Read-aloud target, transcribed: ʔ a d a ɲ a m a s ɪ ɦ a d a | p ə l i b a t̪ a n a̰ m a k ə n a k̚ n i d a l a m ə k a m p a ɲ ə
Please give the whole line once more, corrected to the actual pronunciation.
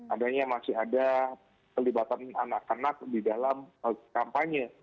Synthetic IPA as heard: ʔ a d a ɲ a m a s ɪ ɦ a d a | k ə l i b a t̪ a n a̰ n a k ə n a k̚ d i d a l a m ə k a m p a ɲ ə